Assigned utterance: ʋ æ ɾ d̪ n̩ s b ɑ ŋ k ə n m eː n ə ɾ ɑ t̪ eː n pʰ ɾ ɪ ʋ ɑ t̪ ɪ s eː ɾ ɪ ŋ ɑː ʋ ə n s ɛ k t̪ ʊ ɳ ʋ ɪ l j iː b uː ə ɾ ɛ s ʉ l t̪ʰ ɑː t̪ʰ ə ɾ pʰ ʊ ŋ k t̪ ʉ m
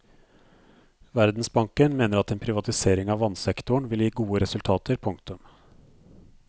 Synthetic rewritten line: ʋ æ ɾ d̪ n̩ s b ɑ ŋ k ə n m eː n ə ɾ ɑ t̪ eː n pʰ ɾ ɪ ʋ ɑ t̪ ɪ s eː ɾ ɪ ŋ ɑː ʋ ɑ n s ɛ k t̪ ʊ ɳ ʋ ɪ l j iː ɡ uː ə ɾ ɛ s ʉ l t̪ʰ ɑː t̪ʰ ə ɾ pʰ ʊ ŋ k t̪ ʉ m